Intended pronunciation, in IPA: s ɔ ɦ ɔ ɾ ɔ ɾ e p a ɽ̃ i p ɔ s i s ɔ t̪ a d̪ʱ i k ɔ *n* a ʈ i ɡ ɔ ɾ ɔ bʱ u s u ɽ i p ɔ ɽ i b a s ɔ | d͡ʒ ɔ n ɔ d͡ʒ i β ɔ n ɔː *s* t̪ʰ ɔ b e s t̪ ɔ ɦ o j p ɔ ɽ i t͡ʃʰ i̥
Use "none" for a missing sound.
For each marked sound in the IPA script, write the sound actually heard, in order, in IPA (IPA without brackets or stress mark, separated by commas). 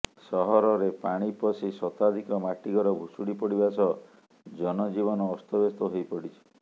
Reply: m, s